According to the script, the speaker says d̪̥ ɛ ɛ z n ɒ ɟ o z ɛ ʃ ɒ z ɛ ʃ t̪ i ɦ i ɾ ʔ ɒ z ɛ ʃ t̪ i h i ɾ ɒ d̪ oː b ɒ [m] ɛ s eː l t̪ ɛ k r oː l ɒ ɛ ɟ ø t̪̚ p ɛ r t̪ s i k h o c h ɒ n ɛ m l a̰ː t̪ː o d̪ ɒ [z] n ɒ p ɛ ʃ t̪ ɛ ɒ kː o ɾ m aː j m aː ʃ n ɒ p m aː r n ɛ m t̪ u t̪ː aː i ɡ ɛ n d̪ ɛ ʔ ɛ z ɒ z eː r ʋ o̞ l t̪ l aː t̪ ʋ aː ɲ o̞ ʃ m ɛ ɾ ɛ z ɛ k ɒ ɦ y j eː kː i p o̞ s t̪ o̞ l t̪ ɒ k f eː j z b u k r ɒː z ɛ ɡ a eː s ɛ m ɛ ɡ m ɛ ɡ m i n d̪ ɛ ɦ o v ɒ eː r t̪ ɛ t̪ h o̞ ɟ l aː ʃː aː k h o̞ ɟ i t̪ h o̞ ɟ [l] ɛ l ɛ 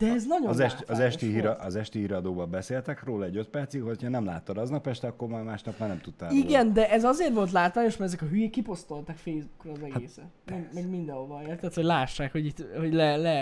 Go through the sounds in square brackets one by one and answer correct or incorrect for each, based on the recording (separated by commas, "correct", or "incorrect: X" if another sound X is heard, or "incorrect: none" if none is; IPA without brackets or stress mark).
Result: incorrect: b, correct, correct